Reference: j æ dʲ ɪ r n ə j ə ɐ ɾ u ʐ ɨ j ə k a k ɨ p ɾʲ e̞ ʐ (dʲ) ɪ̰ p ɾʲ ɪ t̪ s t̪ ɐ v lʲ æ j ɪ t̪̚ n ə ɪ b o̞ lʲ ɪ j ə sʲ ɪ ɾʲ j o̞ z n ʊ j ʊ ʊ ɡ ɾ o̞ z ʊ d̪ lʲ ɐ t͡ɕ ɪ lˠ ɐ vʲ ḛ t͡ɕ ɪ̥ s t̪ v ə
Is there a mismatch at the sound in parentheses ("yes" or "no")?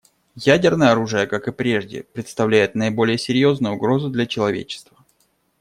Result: no